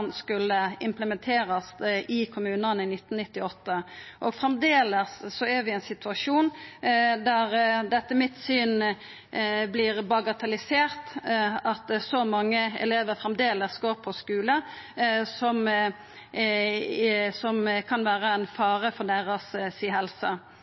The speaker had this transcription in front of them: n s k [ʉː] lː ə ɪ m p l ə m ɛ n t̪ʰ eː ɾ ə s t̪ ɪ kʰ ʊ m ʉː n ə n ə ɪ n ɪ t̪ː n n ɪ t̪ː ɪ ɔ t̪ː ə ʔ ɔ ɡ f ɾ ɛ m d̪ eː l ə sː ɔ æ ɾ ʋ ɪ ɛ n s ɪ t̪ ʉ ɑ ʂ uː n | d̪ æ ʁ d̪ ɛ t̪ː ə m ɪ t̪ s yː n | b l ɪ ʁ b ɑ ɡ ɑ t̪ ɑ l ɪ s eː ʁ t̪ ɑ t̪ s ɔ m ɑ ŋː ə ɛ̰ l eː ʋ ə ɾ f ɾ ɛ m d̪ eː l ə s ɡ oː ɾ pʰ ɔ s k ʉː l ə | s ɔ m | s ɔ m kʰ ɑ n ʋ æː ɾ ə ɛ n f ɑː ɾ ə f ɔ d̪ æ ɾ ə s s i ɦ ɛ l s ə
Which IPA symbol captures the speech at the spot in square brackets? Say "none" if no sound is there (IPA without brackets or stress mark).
ʉ